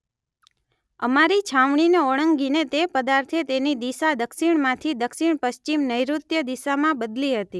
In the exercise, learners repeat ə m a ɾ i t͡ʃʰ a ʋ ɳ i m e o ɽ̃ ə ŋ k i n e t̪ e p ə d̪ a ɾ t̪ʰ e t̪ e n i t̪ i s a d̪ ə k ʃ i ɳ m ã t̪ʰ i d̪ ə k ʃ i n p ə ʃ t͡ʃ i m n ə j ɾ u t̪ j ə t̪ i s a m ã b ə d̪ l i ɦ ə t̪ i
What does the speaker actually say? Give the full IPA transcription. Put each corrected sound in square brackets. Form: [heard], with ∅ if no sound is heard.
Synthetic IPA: ə m a ɾ i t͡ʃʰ a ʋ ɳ i [n] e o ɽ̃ ə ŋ [ɡ] i n e t̪ e p ə d̪ a ɾ t̪ʰ e t̪ e n i [d̪] i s a d̪ ə k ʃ i ɳ m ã t̪ʰ i d̪ ə k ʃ i [ɳ] p ə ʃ t͡ʃ i m n ə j ɾ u t̪ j ə [d̪] i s a m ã b ə d̪ l i ɦ ə t̪ i

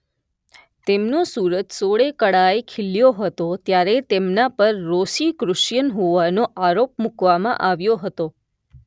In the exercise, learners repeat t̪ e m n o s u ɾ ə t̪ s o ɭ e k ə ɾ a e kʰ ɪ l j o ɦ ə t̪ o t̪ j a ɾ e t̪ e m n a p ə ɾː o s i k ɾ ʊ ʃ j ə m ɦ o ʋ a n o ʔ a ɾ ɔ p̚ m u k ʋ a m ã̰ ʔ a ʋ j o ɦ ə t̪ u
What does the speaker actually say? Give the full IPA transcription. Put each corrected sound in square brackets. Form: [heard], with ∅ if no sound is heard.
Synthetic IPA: t̪ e m n o s u ɾ ə t̪ s o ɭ e k ə [ɽ] a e kʰ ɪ l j o ɦ ə t̪ o t̪ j a ɾ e t̪ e m n a p ə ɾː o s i k ɾ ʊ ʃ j ə [n] ɦ o ʋ a n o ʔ a ɾ [o] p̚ m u k ʋ a m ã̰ ʔ a ʋ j o ɦ ə t̪ [o]

